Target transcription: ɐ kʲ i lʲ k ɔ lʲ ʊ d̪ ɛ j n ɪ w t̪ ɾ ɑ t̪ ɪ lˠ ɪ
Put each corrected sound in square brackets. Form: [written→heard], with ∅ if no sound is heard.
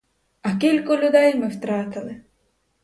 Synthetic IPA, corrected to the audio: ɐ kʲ i lʲ k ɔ lʲ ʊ d̪ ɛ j [n→m] ɪ w t̪ ɾ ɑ t̪ ɪ lˠ ɪ